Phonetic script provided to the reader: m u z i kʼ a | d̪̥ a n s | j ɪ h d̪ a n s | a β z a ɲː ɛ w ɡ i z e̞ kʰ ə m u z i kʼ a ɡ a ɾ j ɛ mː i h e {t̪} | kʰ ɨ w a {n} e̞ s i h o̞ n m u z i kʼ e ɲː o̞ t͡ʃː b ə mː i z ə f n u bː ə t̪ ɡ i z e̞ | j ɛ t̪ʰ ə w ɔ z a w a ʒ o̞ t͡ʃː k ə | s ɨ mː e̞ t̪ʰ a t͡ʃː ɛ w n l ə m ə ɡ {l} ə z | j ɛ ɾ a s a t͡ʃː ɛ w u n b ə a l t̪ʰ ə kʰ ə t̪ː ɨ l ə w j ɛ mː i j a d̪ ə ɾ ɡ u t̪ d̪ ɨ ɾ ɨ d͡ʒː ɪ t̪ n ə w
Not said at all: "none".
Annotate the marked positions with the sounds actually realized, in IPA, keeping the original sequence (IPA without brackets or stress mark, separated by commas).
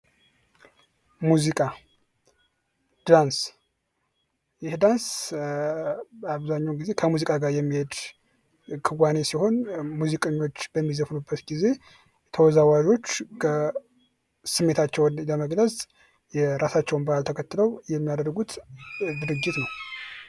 d̪, n, l